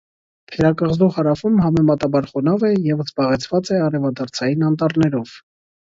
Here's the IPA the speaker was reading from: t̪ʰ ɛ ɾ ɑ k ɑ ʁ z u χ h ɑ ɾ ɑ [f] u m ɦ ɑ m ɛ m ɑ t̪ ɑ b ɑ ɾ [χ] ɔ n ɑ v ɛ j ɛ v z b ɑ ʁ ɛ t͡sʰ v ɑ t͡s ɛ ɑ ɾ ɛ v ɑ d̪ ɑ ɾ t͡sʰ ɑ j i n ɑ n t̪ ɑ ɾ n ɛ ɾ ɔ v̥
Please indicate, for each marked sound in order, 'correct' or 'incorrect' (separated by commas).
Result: correct, correct